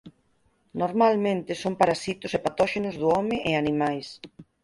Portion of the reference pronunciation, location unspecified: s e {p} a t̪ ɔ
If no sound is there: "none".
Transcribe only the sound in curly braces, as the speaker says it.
p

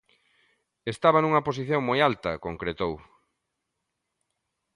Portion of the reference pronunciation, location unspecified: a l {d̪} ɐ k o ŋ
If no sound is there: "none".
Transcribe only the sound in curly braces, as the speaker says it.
t̪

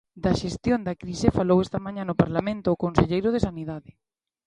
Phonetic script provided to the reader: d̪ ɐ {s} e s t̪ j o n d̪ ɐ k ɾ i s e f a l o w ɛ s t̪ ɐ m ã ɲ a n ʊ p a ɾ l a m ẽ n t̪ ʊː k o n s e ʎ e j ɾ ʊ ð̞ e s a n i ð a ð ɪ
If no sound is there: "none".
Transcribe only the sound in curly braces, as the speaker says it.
ʃ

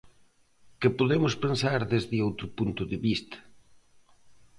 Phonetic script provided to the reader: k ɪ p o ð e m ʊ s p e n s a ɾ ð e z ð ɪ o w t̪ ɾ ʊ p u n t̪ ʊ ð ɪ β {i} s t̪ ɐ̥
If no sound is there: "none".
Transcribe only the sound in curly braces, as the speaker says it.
i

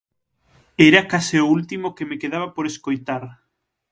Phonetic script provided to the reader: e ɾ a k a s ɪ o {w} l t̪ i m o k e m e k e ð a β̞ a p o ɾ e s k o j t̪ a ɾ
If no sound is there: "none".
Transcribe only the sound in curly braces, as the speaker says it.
u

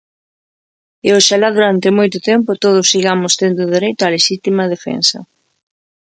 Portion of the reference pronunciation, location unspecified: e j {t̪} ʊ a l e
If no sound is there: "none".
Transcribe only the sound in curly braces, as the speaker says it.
t̪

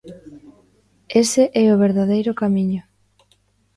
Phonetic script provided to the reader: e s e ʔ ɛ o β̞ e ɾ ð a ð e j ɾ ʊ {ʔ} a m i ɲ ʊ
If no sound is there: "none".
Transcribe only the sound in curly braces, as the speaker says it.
k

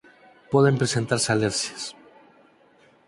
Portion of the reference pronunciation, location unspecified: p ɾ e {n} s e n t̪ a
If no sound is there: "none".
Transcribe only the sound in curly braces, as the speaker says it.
none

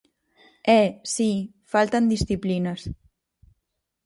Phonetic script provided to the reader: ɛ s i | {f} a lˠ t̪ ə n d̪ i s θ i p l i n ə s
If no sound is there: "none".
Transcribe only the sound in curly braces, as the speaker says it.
f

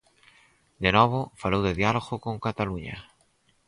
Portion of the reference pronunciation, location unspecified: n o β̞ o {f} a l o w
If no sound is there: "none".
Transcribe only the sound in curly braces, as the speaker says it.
f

